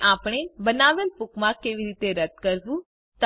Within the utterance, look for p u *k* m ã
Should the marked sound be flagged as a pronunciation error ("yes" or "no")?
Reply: no